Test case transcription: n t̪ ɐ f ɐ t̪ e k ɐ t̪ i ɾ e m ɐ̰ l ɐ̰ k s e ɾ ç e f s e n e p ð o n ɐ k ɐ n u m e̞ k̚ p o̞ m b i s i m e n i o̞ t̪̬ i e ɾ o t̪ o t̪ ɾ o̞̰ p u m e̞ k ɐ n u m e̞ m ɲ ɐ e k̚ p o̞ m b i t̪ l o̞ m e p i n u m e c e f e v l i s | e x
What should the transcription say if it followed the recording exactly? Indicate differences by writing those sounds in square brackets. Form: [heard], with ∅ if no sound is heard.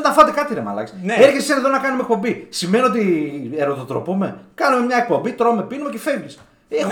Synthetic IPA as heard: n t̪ ɐ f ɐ t̪ e k ɐ t̪ i ɾ e m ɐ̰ l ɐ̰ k s e ɾ ç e [s] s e n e [∅] ð o n ɐ k ɐ n u m e̞ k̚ p o̞ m b i s i m e n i o̞ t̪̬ i e ɾ o t̪ o t̪ ɾ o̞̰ p u m e̞ k ɐ n u m e̞ m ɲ ɐ e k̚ p o̞ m b i t̪ [ɾ] o̞ m e p i n u m e c e f e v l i s | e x